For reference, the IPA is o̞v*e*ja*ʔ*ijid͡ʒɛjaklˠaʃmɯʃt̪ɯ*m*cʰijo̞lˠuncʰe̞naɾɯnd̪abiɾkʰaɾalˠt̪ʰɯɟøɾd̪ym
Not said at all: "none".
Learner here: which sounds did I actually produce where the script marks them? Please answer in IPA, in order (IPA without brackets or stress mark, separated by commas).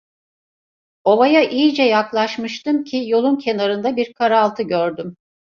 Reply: a, ʔ, m